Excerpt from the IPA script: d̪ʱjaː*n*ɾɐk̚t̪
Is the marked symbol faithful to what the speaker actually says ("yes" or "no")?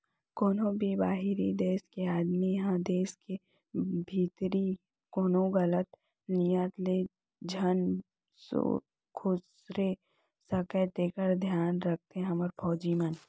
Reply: yes